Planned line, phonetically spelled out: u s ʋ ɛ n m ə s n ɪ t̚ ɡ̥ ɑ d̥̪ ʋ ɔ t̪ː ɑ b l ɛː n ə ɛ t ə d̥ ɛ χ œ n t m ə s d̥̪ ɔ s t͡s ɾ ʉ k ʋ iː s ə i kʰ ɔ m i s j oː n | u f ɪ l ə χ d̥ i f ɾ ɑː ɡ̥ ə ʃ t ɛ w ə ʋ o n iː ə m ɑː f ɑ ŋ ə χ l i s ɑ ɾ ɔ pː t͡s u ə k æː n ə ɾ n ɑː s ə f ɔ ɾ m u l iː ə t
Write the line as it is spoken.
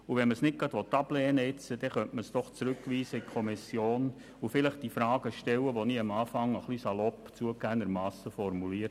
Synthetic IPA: u ʋ ɛ n m ə s n ɪ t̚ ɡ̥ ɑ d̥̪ ʋ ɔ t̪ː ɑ b l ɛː n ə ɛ t͡s ə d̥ ɛ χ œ n t m ə s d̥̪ ɔ χ t͡s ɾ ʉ k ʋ iː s ə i kʰ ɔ m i s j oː n | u f ɪ l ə χ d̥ i f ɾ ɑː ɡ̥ ə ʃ t ɛ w ə ʋ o n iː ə m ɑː f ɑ ŋ ə χ l i s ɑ l ɔ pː t͡s u ə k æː n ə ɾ m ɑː s ə f ɔ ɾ m u l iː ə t